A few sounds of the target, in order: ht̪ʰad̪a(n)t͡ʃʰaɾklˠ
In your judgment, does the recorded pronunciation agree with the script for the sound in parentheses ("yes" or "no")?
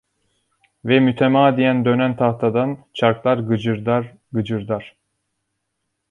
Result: yes